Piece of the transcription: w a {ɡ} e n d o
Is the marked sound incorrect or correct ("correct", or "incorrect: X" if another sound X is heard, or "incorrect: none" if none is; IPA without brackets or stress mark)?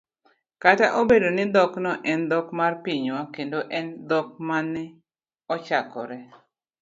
incorrect: k